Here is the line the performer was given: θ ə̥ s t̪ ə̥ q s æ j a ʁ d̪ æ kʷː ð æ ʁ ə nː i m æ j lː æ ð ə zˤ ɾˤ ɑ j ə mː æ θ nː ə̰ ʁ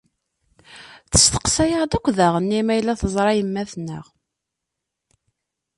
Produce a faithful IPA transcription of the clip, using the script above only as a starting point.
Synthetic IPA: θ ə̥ s t̪ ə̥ q s æ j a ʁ d̪ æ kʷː ð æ ʁ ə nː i m æ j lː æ θ ə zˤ ɾˤ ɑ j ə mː æ θ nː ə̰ ʁ